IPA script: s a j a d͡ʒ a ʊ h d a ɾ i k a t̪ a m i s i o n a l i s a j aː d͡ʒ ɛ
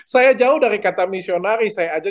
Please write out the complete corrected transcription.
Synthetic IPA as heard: s a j a d͡ʒ a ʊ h d a ɾ i k a t̪ a m i s i o n a ɾ i s a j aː d͡ʒ a